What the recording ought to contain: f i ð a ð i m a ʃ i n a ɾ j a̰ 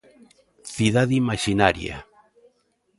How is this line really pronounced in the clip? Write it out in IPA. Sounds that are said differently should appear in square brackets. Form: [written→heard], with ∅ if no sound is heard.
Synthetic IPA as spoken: [f→θ] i ð a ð i m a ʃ i n a ɾ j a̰